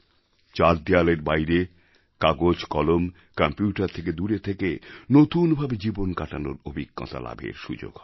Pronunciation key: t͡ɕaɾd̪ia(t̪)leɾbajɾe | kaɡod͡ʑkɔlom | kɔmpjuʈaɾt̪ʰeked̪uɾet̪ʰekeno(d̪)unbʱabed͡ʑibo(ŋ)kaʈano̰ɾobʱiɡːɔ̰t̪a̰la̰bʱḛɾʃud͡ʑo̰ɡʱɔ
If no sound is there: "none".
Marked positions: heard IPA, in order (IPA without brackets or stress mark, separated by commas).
none, t̪, n